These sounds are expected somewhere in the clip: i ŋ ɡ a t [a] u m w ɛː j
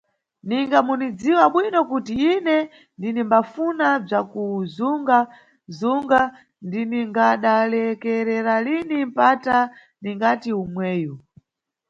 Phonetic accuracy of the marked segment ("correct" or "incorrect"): incorrect